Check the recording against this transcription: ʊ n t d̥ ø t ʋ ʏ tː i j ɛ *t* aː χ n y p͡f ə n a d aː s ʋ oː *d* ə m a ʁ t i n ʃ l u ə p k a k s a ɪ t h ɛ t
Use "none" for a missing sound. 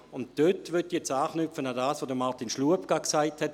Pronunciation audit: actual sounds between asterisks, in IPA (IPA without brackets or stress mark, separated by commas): t͡s, d